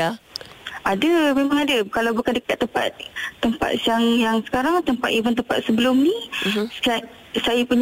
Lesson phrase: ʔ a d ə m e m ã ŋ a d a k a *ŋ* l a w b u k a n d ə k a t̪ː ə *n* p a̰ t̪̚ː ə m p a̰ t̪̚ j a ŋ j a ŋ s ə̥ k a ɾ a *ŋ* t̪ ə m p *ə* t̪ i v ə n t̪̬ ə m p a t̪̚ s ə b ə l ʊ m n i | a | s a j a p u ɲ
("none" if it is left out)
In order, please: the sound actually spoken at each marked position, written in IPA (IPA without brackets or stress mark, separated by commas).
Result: none, m, ŋ, a